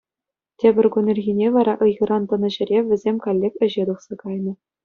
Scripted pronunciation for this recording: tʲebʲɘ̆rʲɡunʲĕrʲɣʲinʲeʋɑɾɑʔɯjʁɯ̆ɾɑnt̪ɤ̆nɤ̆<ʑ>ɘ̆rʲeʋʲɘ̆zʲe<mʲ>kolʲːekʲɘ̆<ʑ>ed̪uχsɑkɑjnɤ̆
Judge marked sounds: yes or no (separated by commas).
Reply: yes, yes, yes